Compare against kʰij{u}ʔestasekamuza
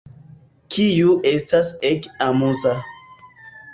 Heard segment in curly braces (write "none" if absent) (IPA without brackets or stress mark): u